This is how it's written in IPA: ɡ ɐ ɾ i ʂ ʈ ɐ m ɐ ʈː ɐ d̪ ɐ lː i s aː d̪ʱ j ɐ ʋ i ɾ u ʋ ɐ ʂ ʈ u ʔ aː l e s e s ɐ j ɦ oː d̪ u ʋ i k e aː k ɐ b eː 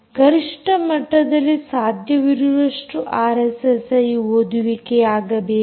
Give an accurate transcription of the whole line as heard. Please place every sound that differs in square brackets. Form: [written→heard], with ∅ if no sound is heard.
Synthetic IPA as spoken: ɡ ɐ ɾ i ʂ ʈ ɐ m ɐ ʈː ɐ d̪ ɐ lː i s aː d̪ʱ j ɐ ʋ i ɾ u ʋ ɐ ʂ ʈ u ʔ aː [l→ɾ] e s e s ɐ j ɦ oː d̪ u ʋ i k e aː [k→ɡ] ɐ b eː